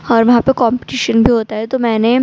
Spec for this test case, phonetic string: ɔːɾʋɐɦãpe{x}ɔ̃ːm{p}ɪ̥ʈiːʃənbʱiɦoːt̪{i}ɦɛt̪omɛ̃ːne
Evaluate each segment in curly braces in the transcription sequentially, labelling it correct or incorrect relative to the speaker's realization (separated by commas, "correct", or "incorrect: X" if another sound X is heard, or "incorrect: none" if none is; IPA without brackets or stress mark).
incorrect: k, correct, incorrect: a